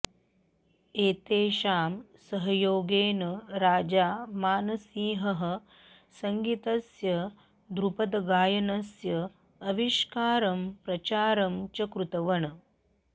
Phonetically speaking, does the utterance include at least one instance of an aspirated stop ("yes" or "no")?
no